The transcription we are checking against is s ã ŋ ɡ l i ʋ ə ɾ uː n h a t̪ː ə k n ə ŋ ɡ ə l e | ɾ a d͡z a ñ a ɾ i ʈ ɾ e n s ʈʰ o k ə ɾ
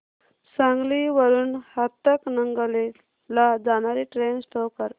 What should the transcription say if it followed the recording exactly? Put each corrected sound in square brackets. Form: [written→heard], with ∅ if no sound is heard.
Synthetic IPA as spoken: s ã ŋ ɡ l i ʋ ə ɾ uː n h a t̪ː ə k n ə ŋ ɡ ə l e | [ɾ→l] a d͡z a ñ a ɾ i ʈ ɾ e n s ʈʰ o k ə ɾ